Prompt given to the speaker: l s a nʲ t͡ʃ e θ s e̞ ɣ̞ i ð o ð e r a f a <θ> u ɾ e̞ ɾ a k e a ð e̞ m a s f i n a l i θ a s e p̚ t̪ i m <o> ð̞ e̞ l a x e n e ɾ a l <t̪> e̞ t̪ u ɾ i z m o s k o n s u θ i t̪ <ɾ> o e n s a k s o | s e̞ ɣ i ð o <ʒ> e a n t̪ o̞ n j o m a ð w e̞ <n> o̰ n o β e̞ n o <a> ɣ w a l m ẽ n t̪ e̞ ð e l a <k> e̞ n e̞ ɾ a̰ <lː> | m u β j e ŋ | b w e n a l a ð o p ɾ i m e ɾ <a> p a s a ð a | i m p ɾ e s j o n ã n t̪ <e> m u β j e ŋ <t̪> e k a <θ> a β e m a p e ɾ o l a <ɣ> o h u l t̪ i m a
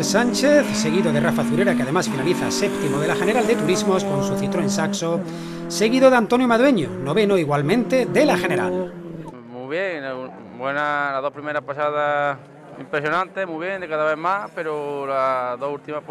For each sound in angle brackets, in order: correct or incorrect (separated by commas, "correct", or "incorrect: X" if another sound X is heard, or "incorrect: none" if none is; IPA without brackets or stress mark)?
correct, correct, incorrect: d̪, correct, incorrect: ð, incorrect: ɲ, incorrect: i, incorrect: x, incorrect: l, correct, correct, incorrect: d̪, incorrect: ð, incorrect: ð